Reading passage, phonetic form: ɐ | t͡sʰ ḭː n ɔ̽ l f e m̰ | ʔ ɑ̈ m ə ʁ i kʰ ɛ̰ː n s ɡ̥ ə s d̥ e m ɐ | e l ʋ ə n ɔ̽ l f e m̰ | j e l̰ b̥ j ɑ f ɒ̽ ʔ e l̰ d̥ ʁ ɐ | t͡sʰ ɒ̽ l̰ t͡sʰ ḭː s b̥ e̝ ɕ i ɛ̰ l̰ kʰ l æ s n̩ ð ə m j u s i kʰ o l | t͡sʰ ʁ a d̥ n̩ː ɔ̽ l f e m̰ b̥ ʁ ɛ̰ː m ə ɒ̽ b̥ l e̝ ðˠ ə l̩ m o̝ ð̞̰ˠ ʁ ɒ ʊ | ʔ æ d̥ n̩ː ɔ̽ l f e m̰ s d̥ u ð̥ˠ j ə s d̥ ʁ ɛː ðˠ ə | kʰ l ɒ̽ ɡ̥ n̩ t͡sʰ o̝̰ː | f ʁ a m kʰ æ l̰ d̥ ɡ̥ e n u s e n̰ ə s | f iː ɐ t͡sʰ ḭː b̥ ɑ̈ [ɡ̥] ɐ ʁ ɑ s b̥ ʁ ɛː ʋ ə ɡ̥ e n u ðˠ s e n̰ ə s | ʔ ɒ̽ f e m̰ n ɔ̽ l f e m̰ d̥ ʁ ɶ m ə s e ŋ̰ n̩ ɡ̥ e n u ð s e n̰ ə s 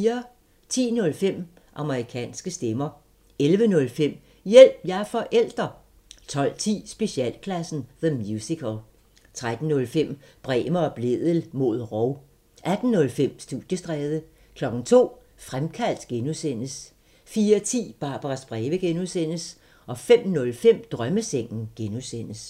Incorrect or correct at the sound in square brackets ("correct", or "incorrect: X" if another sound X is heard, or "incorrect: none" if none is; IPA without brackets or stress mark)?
incorrect: b̥